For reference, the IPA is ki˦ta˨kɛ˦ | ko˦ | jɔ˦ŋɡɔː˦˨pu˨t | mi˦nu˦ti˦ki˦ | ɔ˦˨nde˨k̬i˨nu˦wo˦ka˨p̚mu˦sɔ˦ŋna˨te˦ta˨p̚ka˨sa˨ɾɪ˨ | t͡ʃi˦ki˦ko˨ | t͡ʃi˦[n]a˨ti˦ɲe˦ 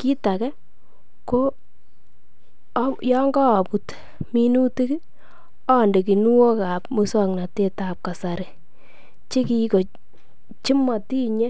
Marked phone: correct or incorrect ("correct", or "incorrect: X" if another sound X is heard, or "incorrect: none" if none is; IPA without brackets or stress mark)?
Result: incorrect: m